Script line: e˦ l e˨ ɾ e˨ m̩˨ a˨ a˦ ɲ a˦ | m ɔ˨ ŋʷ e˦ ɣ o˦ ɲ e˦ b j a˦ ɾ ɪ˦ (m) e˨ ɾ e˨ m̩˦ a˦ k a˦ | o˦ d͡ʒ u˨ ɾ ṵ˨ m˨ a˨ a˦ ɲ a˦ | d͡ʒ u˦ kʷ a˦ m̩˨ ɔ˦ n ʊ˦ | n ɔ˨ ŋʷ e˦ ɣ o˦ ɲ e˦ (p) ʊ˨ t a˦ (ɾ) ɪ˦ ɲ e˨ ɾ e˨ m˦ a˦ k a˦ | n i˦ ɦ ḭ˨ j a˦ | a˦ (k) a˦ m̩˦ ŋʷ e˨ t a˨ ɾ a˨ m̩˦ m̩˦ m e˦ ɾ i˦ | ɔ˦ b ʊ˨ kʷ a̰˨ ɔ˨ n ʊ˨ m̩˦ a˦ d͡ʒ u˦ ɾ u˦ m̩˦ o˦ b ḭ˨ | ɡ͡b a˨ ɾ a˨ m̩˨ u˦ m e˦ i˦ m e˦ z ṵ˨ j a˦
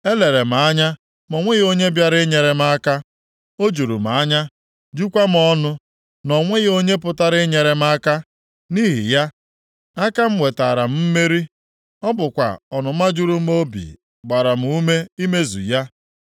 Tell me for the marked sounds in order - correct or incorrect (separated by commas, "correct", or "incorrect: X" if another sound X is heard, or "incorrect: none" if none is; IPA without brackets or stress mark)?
incorrect: ɲ, correct, correct, correct